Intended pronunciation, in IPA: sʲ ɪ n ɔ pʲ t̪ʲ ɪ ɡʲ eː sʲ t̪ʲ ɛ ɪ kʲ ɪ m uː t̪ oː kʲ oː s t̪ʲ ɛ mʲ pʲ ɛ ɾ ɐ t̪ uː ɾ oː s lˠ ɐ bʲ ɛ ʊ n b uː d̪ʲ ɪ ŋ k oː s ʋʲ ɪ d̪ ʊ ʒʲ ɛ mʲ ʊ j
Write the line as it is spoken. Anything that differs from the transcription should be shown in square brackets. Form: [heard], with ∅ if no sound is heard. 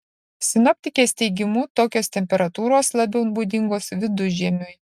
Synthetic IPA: sʲ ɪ n ɔ pʲ t̪ʲ ɪ [kʲ] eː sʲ t̪ʲ ɛ ɪ [ɡʲ] ɪ m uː t̪ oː kʲ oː s t̪ʲ ɛ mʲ pʲ ɛ ɾ ɐ t̪ uː ɾ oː s lˠ ɐ bʲ ɛ ʊ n b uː d̪ʲ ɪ ŋ [ɡ] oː s ʋʲ ɪ d̪ ʊ ʒʲ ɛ mʲ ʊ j